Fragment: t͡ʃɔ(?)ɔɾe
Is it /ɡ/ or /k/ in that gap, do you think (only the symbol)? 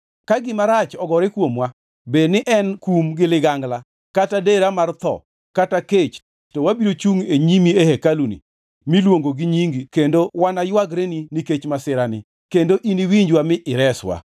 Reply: ɡ